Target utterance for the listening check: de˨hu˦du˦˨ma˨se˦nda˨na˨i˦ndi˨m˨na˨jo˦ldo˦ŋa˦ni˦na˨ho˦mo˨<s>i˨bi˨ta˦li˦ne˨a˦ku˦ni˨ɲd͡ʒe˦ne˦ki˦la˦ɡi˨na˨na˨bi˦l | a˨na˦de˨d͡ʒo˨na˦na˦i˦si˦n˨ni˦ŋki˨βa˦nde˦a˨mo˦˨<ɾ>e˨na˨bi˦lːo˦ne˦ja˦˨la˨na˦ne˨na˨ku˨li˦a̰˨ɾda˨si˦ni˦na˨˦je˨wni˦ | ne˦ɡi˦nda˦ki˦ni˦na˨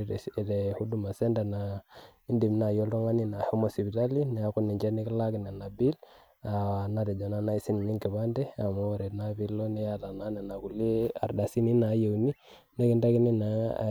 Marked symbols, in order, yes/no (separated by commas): yes, yes